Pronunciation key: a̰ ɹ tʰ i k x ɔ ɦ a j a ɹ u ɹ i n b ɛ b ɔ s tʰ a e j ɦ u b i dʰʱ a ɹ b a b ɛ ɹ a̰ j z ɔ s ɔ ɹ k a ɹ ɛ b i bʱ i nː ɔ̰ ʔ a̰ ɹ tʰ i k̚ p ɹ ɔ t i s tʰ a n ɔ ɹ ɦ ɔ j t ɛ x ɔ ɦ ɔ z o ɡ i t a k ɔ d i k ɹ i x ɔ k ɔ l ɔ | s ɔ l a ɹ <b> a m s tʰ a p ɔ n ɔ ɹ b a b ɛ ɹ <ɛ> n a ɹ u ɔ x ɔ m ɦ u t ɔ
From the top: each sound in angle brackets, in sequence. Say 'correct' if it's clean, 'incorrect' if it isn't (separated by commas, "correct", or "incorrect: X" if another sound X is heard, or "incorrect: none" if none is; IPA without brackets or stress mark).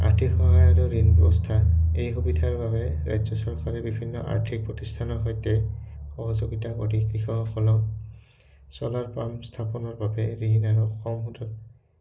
incorrect: p, incorrect: i